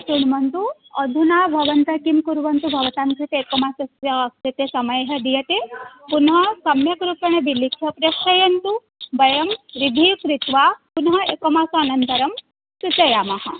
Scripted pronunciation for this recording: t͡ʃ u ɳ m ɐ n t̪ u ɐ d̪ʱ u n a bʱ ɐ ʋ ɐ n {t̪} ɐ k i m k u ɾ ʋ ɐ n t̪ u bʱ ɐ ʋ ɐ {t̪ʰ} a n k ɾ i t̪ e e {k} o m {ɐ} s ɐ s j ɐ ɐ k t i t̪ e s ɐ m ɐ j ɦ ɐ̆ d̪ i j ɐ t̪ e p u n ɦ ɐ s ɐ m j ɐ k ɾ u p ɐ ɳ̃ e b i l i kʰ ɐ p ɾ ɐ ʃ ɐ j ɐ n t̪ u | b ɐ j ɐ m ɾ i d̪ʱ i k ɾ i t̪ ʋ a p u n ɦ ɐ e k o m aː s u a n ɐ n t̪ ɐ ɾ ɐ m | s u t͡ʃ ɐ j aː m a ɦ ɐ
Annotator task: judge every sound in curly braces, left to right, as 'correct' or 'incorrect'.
correct, incorrect: t̪, correct, incorrect: a

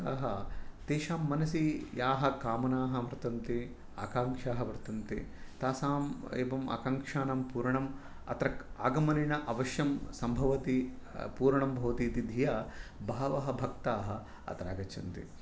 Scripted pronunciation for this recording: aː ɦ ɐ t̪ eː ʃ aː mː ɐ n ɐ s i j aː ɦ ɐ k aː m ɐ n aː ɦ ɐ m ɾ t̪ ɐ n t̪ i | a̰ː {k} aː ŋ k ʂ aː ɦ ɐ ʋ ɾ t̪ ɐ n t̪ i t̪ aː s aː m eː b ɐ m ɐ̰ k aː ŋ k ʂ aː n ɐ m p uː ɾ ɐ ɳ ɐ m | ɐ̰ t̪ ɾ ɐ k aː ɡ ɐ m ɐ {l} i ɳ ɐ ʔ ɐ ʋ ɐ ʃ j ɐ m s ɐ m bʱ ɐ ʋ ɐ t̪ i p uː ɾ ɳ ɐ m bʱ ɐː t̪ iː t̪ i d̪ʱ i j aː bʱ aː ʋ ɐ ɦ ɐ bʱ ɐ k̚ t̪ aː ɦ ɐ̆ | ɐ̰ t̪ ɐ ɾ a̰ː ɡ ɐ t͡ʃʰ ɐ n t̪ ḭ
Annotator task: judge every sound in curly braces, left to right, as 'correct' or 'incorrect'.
correct, correct

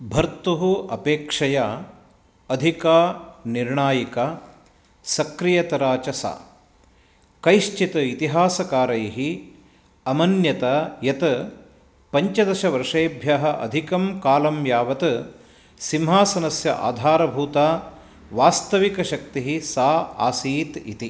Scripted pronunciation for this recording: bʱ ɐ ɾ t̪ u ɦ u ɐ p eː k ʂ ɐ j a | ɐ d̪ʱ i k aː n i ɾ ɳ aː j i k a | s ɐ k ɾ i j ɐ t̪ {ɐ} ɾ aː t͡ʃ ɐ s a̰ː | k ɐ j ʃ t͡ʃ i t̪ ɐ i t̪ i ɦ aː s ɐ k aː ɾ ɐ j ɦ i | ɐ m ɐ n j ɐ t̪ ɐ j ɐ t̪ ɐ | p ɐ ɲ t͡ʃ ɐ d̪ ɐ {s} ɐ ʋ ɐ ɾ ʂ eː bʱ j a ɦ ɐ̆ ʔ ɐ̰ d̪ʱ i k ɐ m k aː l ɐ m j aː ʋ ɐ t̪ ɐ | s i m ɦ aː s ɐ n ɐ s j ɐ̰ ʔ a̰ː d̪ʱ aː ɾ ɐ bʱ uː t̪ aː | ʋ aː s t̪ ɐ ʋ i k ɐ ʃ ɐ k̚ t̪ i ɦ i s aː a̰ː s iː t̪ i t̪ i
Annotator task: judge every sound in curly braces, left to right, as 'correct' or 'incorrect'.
correct, incorrect: ʃ

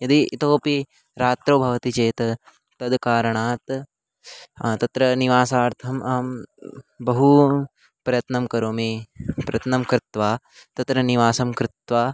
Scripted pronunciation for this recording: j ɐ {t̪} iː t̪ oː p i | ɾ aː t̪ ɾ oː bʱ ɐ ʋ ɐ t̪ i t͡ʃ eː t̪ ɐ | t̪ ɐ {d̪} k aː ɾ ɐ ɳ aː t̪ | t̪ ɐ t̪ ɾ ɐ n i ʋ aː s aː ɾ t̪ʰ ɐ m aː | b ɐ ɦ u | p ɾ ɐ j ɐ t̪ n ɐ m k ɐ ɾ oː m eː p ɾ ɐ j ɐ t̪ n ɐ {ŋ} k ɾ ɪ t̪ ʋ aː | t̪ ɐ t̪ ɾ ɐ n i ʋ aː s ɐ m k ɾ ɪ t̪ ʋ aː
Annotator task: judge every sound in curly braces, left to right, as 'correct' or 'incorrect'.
incorrect: d̪, correct, incorrect: m

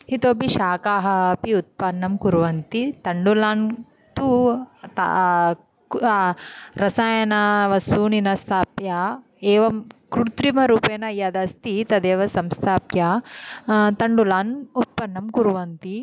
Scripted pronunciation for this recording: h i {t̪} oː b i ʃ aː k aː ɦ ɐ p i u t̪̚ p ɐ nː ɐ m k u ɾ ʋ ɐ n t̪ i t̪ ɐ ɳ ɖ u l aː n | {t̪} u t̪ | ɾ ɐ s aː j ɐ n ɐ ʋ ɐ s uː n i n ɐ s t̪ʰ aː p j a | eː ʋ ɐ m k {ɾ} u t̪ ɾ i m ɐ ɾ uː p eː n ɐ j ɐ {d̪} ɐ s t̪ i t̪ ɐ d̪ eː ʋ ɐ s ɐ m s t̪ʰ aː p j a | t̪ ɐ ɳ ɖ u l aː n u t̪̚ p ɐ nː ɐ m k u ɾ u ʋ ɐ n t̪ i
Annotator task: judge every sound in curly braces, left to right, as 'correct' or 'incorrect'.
correct, correct, correct, correct

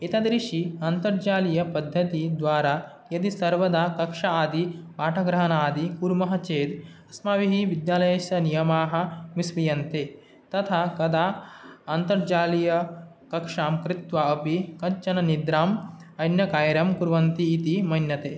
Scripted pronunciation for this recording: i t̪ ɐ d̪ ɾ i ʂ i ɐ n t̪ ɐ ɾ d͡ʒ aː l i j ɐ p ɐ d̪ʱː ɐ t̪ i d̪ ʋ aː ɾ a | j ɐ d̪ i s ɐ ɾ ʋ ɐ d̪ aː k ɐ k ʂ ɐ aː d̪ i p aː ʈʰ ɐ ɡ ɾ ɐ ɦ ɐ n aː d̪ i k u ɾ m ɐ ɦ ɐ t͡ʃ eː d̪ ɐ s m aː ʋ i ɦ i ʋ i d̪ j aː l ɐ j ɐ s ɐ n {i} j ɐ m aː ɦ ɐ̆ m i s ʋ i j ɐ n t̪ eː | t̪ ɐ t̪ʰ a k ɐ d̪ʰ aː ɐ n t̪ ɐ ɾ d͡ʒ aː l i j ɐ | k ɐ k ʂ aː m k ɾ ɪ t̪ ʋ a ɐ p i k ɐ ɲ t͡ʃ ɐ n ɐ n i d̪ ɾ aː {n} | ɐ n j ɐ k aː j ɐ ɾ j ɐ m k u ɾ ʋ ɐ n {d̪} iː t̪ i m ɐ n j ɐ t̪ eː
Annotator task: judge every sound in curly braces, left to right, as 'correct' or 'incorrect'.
correct, incorrect: m, incorrect: t̪

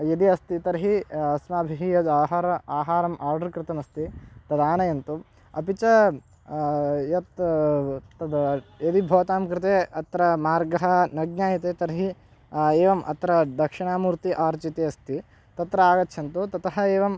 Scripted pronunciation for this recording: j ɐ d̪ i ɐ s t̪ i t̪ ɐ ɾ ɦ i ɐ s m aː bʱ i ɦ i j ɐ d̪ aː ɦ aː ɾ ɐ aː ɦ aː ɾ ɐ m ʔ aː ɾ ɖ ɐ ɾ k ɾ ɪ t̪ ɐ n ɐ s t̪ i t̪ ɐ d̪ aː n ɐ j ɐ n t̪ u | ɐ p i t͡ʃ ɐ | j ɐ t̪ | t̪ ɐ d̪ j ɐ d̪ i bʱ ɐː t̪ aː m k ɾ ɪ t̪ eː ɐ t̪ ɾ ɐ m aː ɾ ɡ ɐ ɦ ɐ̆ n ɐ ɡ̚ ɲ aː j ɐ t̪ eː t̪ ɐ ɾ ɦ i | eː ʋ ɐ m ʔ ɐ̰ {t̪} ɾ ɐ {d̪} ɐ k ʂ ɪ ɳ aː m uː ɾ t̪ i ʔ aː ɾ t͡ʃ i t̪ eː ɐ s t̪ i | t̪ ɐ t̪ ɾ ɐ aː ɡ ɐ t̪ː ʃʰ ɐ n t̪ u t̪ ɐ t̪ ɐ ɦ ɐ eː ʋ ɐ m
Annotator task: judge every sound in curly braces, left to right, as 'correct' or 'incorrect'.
correct, correct

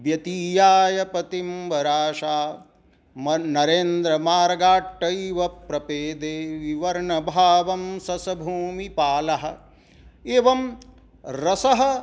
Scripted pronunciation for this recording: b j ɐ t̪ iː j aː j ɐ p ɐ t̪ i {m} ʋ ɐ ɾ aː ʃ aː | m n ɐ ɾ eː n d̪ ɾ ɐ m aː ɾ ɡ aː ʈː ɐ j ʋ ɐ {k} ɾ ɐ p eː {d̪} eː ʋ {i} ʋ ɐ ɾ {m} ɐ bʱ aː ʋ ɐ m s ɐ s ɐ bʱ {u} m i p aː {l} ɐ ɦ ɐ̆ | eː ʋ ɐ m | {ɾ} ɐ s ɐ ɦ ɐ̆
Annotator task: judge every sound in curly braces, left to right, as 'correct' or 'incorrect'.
correct, incorrect: p, correct, correct, incorrect: ɳ, incorrect: uː, correct, correct

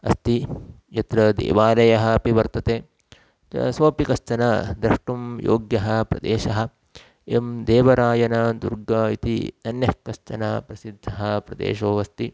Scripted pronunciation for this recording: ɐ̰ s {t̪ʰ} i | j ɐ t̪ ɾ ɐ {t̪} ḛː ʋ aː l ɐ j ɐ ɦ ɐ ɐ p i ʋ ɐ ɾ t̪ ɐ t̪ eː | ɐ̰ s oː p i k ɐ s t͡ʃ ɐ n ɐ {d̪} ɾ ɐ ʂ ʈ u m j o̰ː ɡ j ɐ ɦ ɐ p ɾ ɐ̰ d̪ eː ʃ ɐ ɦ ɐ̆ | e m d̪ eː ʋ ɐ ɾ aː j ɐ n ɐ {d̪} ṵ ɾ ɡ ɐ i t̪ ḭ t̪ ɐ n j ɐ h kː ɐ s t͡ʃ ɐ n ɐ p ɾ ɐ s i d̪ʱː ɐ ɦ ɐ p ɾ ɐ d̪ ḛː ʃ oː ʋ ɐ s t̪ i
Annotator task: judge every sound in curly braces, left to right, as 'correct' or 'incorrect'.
incorrect: t̪, incorrect: d̪, correct, correct

